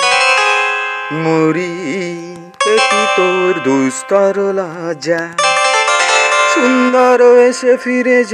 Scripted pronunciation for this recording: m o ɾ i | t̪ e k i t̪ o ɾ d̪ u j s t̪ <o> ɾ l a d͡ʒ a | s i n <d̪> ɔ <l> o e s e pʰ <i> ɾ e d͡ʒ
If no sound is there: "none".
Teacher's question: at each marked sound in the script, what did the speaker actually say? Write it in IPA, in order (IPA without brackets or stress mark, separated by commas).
ɔ, d̪, ɾ, i